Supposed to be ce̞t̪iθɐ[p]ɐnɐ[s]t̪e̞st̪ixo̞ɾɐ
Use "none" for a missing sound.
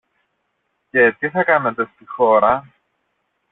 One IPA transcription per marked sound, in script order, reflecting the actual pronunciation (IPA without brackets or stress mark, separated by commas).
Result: k, none